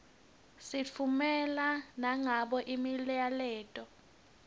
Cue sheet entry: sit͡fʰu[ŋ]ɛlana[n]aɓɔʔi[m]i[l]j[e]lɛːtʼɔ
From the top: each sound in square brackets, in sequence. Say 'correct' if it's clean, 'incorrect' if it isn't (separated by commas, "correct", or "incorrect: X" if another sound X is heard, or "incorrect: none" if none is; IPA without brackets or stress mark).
incorrect: m, incorrect: ŋ, correct, correct, incorrect: a